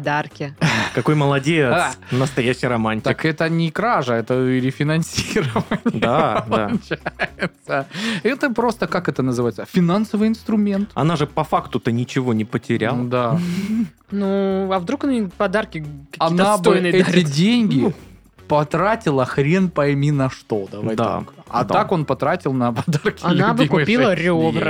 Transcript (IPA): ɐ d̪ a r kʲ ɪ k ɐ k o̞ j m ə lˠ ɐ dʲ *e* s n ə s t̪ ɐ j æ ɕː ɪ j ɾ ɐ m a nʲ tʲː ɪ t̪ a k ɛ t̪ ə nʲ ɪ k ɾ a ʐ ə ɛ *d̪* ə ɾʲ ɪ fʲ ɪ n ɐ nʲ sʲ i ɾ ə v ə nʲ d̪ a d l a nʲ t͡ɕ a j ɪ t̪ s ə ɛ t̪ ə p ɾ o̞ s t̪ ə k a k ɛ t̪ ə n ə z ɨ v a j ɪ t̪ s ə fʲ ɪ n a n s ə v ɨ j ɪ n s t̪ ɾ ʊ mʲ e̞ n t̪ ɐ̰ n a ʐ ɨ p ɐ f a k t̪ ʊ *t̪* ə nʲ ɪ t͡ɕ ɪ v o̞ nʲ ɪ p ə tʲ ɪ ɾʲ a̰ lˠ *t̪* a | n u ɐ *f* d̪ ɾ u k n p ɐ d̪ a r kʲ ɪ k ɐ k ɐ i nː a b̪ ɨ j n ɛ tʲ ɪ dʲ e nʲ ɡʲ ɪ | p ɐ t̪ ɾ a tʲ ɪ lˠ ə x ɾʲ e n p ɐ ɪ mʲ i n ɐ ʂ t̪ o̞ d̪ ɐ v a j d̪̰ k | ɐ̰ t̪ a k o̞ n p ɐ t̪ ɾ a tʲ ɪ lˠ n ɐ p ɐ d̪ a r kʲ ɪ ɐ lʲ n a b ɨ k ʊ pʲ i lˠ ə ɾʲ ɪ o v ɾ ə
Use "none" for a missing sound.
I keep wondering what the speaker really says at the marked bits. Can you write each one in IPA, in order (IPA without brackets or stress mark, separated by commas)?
e, t̪, t̪, d̪, v